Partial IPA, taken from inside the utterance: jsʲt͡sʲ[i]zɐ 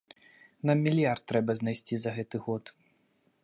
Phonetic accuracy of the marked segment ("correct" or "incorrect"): correct